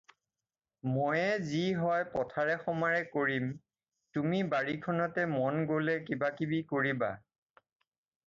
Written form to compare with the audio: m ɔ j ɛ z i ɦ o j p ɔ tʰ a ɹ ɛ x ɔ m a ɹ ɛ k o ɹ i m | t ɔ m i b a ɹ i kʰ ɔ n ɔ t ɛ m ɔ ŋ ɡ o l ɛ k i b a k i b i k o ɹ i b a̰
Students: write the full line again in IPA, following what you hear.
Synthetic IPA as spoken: m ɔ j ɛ z i ɦ ɔ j p ɔ tʰ a ɹ ɛ x ɔ m a ɹ ɛ k o ɹ i m | t u m i b a ɹ i kʰ ɔ n ɔ t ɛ m ɔ n ɡ o l ɛ k i b a k i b i k o ɹ i b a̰